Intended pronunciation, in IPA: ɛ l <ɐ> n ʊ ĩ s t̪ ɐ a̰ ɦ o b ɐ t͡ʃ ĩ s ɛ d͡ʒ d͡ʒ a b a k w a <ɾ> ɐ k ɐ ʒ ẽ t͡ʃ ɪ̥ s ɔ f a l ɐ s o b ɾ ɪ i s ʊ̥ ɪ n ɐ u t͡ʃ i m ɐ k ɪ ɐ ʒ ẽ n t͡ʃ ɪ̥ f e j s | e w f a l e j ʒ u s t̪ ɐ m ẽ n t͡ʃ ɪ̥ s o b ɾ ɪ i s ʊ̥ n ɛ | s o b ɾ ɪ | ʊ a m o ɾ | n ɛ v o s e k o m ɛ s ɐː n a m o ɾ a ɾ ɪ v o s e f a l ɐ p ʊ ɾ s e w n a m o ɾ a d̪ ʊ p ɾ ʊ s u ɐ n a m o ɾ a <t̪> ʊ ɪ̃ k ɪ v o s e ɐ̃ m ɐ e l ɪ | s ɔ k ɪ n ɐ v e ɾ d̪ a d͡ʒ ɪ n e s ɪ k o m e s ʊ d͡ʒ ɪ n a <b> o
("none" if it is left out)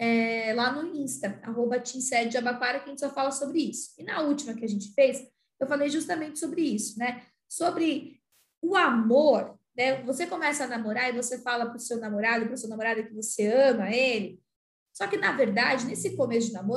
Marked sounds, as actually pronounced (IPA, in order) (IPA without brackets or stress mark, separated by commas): a, ɾ, d̪, m